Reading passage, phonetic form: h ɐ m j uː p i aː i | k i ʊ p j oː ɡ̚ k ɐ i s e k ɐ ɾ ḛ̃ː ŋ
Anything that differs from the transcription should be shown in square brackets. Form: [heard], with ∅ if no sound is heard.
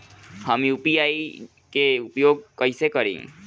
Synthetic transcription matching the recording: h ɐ m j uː p i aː i | k [e] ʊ p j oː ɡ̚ k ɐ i s e k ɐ ɾ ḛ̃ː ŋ